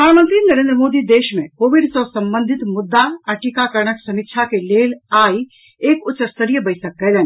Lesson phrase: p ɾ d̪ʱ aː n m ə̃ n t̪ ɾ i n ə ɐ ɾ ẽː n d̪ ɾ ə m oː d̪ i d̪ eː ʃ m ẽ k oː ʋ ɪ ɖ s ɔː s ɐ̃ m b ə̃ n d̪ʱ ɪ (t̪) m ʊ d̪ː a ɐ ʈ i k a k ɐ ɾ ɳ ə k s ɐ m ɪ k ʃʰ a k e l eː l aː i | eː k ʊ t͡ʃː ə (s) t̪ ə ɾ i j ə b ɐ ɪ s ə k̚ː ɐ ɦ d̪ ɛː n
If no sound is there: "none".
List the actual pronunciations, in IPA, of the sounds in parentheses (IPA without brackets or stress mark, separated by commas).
t̪, s